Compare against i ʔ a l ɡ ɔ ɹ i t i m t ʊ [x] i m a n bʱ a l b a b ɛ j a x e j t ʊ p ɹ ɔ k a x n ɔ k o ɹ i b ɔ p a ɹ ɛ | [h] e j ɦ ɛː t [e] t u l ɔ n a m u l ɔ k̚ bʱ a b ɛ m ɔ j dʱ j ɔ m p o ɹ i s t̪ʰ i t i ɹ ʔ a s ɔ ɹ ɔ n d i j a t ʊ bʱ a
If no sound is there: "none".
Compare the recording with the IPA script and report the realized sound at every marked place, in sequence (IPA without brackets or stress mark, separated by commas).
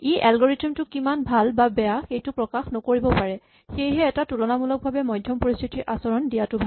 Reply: k, x, a